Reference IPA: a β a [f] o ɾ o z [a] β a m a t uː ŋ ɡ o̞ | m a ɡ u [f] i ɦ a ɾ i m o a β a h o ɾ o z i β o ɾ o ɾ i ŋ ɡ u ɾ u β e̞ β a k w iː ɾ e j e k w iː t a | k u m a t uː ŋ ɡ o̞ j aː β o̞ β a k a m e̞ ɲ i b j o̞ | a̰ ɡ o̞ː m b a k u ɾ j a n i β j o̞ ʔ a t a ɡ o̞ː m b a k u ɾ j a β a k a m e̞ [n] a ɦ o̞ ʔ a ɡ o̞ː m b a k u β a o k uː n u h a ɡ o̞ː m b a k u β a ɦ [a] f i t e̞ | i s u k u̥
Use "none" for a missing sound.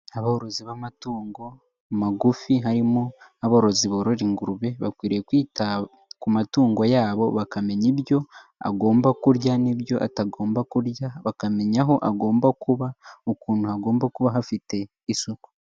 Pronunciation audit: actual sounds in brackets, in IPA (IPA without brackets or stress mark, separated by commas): h, i, f, ɲ, a